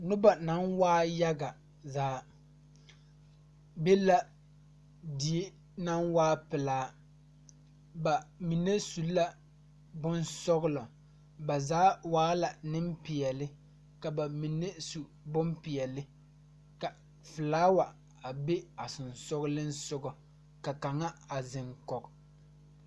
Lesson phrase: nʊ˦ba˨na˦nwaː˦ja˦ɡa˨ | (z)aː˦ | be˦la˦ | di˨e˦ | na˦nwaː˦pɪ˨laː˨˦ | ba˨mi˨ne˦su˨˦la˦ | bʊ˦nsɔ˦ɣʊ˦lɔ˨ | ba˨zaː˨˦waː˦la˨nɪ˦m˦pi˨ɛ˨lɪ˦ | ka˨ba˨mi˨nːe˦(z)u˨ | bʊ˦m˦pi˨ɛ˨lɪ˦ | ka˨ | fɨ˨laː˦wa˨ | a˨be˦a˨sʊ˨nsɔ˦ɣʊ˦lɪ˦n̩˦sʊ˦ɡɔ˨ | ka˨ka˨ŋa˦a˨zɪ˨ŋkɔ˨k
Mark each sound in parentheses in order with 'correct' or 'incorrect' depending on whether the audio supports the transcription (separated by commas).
correct, incorrect